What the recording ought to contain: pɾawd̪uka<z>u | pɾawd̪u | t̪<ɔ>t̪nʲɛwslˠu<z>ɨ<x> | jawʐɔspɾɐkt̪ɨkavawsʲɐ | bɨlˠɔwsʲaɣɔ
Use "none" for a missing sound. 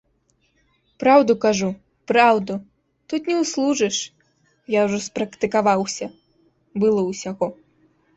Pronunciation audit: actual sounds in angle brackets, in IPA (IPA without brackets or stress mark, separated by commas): ʐ, u, ʐ, ʂ